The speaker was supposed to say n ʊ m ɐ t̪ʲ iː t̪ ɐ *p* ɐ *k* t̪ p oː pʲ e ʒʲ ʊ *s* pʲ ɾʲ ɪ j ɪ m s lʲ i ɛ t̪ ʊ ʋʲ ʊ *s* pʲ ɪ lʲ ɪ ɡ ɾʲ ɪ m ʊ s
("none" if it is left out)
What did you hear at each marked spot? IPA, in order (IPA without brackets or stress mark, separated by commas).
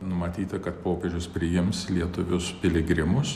k, none, s, s